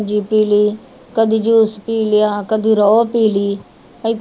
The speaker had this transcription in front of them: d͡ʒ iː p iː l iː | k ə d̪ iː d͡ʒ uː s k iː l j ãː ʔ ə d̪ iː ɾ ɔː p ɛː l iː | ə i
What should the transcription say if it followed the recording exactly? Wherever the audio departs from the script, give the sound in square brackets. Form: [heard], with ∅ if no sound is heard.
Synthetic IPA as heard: d͡ʒ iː p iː l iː | k ə d̪ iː d͡ʒ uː s [p] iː l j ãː [k] ə d̪ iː ɾ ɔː p [iː] l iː | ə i